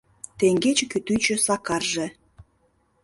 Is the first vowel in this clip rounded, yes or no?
no